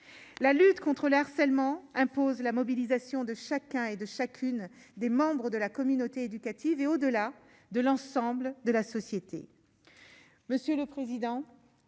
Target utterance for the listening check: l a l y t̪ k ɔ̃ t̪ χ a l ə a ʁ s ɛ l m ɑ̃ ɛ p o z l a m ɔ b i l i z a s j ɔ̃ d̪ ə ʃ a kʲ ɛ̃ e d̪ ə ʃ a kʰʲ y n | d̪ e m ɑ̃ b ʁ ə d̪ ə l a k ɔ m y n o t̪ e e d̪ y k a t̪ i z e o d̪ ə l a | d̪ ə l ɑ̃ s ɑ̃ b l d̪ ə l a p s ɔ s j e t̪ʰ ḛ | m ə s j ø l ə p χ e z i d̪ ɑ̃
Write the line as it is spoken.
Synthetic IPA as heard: l a l y t̪ k ɔ̃ t̪ χ ə l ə a ʁ s ɛ l m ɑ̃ ɛ̃ p o z l a m ɔ b i l i z a s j ɔ̃ d̪ ə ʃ a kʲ ɛ̃ e d̪ ə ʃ a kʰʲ y n | d̪ e m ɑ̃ b ʁ ə d̪ ə l a k ɔ m y n o t̪ e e d̪ y k a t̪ i v e o d̪ ə l a | d̪ ə l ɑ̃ s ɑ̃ b l d̪ ə l a s ɔ s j e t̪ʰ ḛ | m ə s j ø l ə p χ e z i d̪ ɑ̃

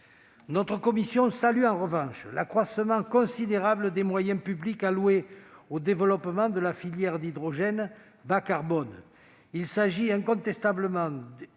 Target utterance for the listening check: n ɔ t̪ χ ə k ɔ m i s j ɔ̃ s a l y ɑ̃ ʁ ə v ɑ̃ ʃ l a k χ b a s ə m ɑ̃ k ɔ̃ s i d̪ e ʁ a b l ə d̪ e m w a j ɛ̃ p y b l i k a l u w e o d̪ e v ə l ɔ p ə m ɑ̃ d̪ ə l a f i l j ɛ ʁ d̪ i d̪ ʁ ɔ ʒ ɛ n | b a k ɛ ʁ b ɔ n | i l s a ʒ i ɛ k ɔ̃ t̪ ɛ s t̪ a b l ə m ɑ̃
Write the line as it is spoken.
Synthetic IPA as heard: n ɔ t̪ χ ə k ɔ m i s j ɔ̃ s a l y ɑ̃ ʁ ə v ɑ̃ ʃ l a k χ w a s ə m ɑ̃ k ɔ̃ s i d̪ e ʁ a b l ə d̪ e m w a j ɛ̃ p y b l i k a l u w e o d̪ e v ə l ɔ p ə m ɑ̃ d̪ ə l a f i l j ɛ ʁ d̪ i d̪ ʁ ɔ ʒ ɛ n | b a k a ʁ b ɔ n | i l s a ʒ i ɛ̃ k ɔ̃ t̪ ɛ s t̪ a b l ə m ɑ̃

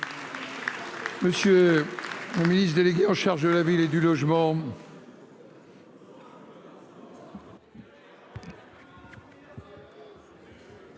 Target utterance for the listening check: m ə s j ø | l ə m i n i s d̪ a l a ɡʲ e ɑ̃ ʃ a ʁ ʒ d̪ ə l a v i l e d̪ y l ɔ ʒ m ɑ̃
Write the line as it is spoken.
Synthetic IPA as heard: m ə s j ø | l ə m i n i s d̪ e l e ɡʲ e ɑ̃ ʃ a ʁ ʒ d̪ ə l a v i l e d̪ y l ɔ ʒ m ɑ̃

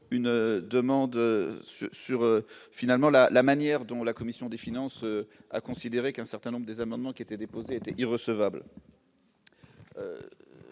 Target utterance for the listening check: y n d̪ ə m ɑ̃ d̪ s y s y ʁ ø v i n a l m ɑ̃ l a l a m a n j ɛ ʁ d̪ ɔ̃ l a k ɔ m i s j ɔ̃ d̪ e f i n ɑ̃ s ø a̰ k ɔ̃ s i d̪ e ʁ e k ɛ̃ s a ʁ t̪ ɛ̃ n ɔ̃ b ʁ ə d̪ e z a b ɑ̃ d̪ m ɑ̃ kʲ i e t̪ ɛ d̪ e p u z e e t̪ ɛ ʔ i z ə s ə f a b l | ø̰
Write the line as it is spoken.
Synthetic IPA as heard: y n d̪ ə m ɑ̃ d̪ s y s y ʁ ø f i n a l m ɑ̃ l a l a m a n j ɛ ʁ d̪ ɔ̃ l a k ɔ m i s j ɔ̃ d̪ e f i n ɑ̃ s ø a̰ k ɔ̃ s i d̪ e ʁ e k ɛ̃ s ɛ ʁ t̪ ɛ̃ n ɔ̃ b ʁ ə d̪ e z a m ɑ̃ d̪ m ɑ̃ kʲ i e t̪ ɛ d̪ e p o z e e t̪ ɛ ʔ i ʁ ə s ə v a b l | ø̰

